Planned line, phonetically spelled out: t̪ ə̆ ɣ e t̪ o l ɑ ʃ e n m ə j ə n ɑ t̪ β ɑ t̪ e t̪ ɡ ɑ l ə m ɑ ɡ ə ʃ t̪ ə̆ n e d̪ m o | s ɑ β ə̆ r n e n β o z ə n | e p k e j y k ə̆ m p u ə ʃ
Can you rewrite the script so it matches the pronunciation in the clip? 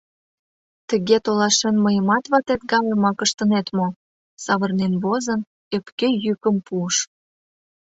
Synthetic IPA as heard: t̪ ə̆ ɣ e t̪ o l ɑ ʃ e n m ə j ə m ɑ t̪ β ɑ t̪ e t̪ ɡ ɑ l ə m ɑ k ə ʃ t̪ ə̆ n e t̪ m o | s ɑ β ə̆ r n e n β o z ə n | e p k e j y k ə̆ m p u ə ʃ